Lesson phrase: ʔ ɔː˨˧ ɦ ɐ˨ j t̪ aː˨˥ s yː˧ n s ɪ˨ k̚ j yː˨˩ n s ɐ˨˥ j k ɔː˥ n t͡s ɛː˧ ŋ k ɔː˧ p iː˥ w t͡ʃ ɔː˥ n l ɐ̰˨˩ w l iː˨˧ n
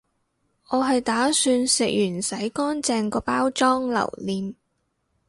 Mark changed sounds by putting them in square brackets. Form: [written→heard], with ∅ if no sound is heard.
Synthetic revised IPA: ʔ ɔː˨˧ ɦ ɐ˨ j t̪ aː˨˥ s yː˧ n s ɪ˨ k̚ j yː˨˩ n s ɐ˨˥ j k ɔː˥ n t͡s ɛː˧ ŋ k ɔː˧ p [iː˥→aː˥] w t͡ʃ ɔː˥ [n→ŋ] l ɐ̰˨˩ w l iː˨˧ n